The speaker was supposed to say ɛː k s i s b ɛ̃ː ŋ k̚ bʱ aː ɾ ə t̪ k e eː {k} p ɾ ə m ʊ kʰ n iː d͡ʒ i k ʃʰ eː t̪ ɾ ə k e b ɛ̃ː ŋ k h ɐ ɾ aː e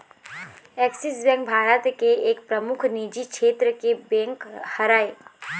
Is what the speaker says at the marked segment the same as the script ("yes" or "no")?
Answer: yes